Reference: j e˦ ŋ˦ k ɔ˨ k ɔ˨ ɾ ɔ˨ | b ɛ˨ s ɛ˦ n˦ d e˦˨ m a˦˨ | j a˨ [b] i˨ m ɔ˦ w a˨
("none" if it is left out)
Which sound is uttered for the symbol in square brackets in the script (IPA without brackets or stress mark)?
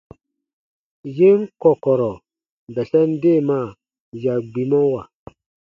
ɡ͡b